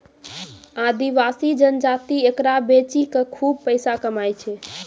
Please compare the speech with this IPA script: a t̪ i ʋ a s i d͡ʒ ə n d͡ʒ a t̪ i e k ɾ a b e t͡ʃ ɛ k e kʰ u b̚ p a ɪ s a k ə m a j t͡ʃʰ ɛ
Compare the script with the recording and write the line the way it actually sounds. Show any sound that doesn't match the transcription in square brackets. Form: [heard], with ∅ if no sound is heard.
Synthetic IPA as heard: a [d̪] i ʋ a s i d͡ʒ ə n d͡ʒ a t̪ i e k ɾ a b e t͡ʃ [i] k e kʰ u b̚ p [ə] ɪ s a k ə m a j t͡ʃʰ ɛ